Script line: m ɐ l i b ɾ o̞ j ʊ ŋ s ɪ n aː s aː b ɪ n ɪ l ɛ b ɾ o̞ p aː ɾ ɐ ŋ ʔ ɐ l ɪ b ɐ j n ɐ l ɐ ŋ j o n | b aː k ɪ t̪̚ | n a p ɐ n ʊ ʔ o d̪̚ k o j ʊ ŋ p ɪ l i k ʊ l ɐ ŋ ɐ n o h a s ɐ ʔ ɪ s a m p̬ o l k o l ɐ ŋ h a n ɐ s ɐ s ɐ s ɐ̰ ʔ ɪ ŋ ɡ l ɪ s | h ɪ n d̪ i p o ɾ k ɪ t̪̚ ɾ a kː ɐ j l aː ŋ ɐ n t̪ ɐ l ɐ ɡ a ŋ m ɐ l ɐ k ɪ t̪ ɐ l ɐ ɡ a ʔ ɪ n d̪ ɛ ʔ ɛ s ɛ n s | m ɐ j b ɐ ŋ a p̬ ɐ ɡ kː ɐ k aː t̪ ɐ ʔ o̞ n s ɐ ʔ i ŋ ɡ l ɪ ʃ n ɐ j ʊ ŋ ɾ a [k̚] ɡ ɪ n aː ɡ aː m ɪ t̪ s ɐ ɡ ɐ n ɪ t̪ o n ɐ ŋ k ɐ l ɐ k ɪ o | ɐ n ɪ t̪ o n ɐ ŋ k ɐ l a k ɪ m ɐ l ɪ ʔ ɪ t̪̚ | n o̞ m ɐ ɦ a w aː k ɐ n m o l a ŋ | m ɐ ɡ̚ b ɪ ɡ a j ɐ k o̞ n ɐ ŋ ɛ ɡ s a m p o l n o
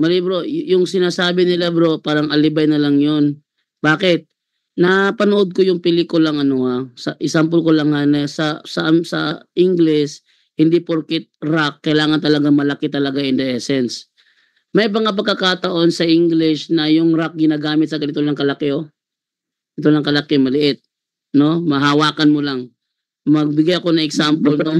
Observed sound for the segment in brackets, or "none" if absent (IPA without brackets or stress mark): k̚